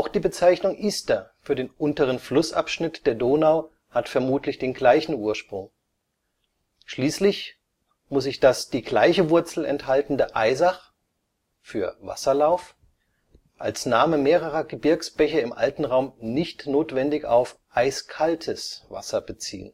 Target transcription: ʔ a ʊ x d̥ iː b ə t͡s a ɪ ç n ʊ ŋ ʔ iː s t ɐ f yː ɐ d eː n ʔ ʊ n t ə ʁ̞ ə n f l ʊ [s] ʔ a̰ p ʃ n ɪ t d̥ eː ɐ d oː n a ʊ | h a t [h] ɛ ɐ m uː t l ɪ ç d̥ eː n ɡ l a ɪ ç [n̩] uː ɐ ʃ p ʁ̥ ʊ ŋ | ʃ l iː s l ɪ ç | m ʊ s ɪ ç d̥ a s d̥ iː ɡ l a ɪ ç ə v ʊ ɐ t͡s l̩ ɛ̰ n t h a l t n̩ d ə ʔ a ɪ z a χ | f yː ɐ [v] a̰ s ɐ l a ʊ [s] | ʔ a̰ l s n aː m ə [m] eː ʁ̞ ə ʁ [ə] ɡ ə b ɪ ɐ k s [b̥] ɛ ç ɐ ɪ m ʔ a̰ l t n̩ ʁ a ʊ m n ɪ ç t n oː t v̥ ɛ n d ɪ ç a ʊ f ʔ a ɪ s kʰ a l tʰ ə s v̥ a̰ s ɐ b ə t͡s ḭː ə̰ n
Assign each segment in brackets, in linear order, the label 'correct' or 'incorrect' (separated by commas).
correct, incorrect, correct, correct, incorrect, correct, incorrect, correct